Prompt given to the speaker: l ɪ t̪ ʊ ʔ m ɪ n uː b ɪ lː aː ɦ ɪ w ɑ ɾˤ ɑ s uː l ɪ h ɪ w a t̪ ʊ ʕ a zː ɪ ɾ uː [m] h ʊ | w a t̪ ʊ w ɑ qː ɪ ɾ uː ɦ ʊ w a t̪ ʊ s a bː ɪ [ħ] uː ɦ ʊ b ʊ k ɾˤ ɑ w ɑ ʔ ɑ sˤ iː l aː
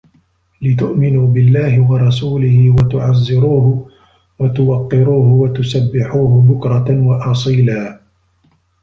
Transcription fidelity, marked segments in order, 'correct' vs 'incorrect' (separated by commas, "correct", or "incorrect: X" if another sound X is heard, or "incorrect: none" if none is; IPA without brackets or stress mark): incorrect: none, correct